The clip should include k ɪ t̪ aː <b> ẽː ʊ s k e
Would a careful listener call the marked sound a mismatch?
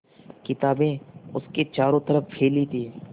no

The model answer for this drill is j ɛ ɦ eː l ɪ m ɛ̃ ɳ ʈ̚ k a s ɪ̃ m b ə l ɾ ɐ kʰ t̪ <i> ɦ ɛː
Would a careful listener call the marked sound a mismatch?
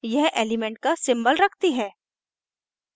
no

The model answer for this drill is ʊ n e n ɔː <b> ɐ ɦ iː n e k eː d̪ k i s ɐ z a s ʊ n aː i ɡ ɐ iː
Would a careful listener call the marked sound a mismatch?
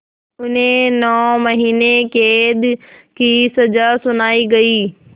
yes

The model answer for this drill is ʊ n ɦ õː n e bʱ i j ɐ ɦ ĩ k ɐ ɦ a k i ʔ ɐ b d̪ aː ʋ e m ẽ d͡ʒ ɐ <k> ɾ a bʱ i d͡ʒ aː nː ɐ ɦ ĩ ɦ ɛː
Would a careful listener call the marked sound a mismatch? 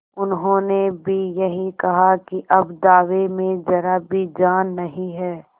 yes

